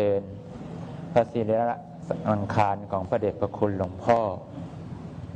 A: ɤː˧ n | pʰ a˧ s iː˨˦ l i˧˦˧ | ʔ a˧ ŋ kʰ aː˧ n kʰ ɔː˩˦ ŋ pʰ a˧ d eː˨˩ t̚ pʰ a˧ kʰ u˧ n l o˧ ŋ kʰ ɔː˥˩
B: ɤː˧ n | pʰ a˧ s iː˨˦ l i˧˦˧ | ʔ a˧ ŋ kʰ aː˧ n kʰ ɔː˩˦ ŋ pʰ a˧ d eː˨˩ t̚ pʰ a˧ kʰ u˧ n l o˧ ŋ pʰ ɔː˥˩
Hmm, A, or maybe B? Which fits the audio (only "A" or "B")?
B